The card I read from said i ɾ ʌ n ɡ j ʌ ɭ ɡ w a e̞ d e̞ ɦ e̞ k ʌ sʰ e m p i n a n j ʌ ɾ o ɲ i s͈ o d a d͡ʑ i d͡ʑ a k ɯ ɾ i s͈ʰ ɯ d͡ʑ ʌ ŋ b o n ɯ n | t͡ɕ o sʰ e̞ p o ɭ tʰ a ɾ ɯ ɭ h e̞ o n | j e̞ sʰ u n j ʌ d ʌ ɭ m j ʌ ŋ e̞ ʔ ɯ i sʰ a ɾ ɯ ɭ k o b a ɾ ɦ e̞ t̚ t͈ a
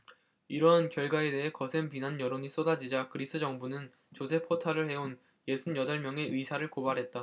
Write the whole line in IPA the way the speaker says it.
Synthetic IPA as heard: i ɾ ʌ n k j ʌ ɭ ɡ w a e̞ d e̞ ɦ e̞ k ʌ sʰ e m p i n a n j ʌ ɾ o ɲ i s͈ o d a d͡ʑ i d͡ʑ a k ɯ ɾ i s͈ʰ ɯ d͡ʑ ʌ ŋ b u n ɯ n | t͡ɕ o sʰ e̞ pʰ o tʰ a ɾ ɯ ɭ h e̞ o n | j e̞ sʰ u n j ʌ d ʌ ɭ m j ʌ ŋ e̞ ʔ ɯ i sʰ a ɾ ɯ ɭ k o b a ɾ ɦ e̞ t̚ t͈ a